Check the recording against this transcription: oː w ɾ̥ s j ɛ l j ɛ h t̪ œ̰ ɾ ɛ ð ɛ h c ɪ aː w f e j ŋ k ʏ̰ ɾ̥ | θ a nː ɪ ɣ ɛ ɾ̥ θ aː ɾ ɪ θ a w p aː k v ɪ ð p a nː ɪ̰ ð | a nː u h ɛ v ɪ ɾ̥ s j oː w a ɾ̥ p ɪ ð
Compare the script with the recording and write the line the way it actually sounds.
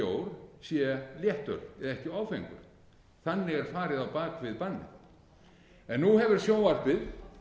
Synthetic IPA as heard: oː w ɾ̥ s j ɛ l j ɛ h t̪ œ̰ ɾ ɛ ð ɛ h c ɪ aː w f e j ŋ k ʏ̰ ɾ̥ | θ a nː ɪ ɣ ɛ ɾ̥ f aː ɾ ɪ ð a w p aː k v ɪ ð p a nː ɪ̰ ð | ɛ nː u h ɛ v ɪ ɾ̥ s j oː w a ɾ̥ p ɪ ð

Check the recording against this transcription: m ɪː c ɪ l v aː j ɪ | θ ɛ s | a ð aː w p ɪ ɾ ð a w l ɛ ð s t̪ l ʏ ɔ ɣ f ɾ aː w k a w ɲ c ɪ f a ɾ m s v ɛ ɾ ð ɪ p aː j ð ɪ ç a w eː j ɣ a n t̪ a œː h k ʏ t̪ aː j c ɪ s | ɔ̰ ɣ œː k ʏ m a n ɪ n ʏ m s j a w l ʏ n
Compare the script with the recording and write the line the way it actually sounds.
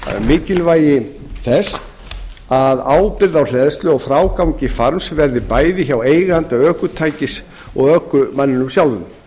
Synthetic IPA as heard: m ɪː c ɪ l v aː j ɪ | θ ɛ s | a ð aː w p ɪ ɾ ð a w l ɛ ð s t̪ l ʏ ɔ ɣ f ɾ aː w k a w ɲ c ɪ f a ɾ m s v ɛ ɾ ð ɪ p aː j ð ɪ ç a w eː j ɣ a n t̪ a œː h k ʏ t̪ʰ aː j c ɪ s | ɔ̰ ɣ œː k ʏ m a nː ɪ n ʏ m s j a w l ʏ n

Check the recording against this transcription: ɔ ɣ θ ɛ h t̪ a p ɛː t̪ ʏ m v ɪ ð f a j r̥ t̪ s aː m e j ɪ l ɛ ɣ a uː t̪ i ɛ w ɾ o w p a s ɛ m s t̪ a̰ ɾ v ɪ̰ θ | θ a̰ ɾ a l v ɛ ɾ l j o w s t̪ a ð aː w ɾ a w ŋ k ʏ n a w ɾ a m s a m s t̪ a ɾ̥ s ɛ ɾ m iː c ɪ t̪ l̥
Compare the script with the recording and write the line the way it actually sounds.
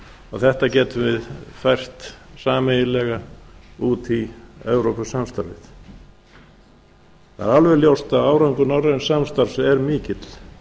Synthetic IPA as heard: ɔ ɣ θ ɛ h t̪ a c ɛː t̪ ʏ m v ɪ ð f a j r̥ t̪ s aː m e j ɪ l ɛ ɣ a uː t̪ i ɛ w ɾ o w p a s a m s t̪ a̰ ɾ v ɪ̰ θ | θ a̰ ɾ a l v ɛ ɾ l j o w s t̪ a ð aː w ɾ a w ŋ k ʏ n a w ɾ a n s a m s t̪ a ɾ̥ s ɛ ɾ m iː c ɪ t̪ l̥

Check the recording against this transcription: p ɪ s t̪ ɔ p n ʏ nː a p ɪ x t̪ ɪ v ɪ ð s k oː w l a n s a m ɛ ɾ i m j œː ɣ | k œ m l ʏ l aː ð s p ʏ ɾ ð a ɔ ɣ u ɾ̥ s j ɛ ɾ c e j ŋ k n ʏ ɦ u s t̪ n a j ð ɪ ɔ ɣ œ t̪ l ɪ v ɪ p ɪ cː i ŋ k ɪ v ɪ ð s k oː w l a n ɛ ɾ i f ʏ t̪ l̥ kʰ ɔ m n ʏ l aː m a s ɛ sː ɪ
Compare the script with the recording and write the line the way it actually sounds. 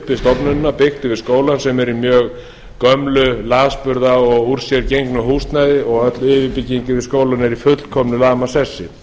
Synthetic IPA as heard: p ɪ s t̪ ɔ p n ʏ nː a p ɪ x t̪ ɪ v ɪ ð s k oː w l a n s ɛ m ɛ ɾ i m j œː ɣ | k œ m l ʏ l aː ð s p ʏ ɾ ð a ɔ ɣ u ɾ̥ s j ɛ ɾ c e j ŋ k n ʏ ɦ u s t̪ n a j ð ɪ ɔ ɣ œ t̪ l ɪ v ɪ p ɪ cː i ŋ k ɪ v ɪ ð s k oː w l a n ɛ ɾ i f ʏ t̪ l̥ kʰ ɔ m n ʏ l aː m a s ɛ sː ɪ

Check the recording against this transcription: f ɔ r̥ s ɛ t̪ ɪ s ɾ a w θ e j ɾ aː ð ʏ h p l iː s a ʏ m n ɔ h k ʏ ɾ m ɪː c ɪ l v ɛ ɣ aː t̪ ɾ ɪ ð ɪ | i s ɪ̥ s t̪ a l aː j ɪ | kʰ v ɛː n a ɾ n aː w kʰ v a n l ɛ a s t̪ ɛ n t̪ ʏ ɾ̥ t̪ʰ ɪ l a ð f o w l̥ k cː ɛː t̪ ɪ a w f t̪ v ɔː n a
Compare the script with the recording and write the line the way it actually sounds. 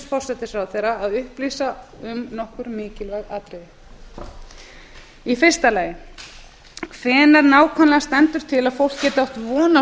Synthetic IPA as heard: f ɔ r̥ s ɛ t̪ ɪ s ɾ a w θ e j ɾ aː ð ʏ h p l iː s a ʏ m n ɔ h k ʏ ɾ m ɪː c ɪ l v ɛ ɣ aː t̪ ɾ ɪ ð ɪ | i f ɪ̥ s t̪ a l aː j ɪ | kʰ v ɛː n a ɾ n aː w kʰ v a n l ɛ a s t̪ ɛ n t̪ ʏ ɾ̥ t̪ʰ ɪ l a ð f o w l̥ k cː ɛː t̪ ɪ a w h t̪ v ɔː n a

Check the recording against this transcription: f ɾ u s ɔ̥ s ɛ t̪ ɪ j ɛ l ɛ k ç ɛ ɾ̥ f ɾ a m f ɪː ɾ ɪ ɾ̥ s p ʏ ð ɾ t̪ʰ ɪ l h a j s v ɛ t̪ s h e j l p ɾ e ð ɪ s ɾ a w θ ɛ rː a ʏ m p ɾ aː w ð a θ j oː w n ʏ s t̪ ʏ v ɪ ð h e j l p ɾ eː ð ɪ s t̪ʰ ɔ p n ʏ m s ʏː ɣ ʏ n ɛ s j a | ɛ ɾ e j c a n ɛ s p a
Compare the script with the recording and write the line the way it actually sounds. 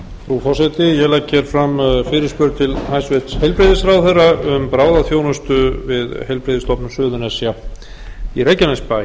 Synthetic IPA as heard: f ɾ u f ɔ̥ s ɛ t̪ ɪ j ɛ l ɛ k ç ɛ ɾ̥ f ɾ a m f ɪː ɾ ɪ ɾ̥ s p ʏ ɾ t̪ʰ ɪ l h a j s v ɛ t̪ s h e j l p ɾ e ð ɪ s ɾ a w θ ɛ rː a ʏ m p ɾ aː w ð a θ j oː w n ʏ s t̪ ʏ v ɪ ð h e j l p ɾ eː ð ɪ s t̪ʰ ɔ p n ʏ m s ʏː ð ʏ n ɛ s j a | i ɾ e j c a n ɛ s p a

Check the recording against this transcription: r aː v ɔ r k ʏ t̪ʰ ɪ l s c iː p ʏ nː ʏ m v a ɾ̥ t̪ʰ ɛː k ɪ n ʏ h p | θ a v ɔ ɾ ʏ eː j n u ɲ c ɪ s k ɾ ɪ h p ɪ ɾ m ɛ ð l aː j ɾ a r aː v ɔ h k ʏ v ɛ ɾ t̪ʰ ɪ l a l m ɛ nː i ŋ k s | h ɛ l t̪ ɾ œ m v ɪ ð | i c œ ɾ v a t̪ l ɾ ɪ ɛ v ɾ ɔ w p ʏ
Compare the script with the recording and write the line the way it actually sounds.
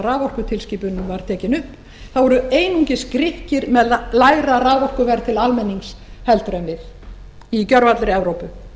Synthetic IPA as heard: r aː v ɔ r k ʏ t̪ʰ ɪ l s c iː p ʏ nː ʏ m v a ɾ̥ t̪ʰ ɛː c ɪ n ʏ h p | θ a v ɔ ɾ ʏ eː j n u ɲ c ɪ s k ɾ ɪ h c ɪ ɾ m ɛ ð l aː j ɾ a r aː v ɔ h k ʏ v ɛ ɾ t̪ʰ ɪ l a l m ɛ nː i ŋ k s | h ɛ l t̪ ɾ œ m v ɪ ð | i c œ ɾ v a t̪ l ɾ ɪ ɛ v ɾ o w p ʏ

